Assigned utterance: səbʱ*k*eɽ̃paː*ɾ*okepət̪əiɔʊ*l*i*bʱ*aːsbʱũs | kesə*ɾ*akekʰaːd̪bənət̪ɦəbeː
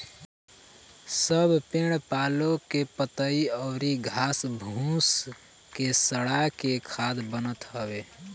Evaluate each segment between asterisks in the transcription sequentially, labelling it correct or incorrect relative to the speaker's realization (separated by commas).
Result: incorrect, incorrect, incorrect, incorrect, incorrect